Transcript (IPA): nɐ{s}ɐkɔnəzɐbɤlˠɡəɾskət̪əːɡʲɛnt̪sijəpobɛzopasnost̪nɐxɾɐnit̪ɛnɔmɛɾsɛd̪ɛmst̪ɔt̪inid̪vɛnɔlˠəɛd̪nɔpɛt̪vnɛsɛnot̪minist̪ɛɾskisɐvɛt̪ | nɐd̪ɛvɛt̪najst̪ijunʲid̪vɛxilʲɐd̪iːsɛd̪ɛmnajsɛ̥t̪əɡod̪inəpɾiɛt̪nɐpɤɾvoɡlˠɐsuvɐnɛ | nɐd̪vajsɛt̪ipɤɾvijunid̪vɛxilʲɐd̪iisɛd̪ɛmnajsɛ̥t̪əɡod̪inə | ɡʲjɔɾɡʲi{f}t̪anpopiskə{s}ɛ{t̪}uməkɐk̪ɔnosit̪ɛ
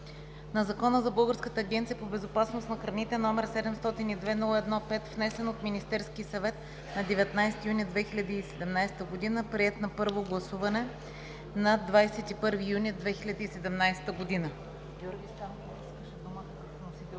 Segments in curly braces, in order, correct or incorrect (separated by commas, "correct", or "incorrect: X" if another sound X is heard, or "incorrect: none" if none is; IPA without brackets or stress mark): incorrect: z, incorrect: s, incorrect: ʃ, incorrect: d̪